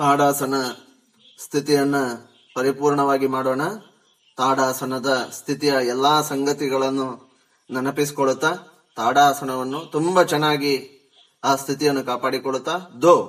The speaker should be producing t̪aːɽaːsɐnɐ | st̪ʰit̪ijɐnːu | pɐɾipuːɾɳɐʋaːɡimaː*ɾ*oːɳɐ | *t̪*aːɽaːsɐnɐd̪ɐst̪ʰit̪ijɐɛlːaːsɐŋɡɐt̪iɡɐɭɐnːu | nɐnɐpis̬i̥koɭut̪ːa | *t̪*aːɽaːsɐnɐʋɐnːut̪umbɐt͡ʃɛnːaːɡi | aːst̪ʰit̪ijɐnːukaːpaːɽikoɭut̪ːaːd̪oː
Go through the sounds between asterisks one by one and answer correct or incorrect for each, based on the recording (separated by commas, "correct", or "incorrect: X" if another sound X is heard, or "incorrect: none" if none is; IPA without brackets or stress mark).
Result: incorrect: ɽ, correct, correct